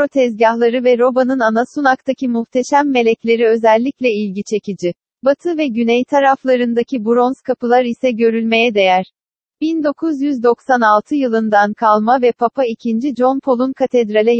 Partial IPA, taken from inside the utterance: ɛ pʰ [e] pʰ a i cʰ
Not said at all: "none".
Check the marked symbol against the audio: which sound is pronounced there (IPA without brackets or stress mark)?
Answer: a